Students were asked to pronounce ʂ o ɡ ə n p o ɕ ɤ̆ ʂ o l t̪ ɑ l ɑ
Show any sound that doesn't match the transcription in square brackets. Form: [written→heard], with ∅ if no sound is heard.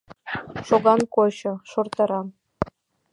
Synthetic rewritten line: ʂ o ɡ [ə→ɑ] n [p→k] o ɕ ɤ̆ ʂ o [l→r] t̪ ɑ [l→ɾ] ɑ